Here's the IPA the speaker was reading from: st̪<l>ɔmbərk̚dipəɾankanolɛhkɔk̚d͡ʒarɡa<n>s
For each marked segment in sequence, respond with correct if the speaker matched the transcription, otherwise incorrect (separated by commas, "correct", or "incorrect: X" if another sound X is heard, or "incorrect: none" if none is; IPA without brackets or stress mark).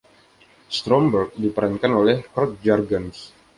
incorrect: ɾ, correct